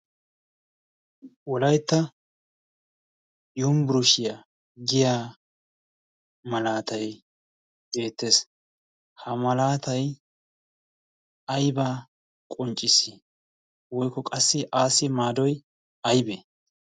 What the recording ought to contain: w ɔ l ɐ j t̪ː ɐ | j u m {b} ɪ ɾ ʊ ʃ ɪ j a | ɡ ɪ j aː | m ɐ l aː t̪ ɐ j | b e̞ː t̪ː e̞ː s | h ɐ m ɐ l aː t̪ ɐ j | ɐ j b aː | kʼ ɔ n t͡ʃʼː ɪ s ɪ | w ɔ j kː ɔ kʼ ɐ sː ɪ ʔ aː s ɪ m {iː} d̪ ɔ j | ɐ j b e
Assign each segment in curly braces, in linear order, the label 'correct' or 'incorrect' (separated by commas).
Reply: correct, incorrect